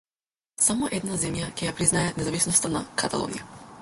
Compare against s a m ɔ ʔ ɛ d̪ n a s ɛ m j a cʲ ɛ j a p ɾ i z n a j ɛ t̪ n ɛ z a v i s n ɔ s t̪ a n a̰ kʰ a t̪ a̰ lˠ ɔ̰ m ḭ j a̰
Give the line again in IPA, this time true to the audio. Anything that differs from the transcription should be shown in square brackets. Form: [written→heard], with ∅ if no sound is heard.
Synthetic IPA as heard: s a m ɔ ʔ ɛ d̪ n a [s→z] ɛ m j a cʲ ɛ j a p ɾ i z n a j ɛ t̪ n ɛ z a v i s n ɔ s t̪ a n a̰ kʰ a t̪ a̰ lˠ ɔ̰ [m→n] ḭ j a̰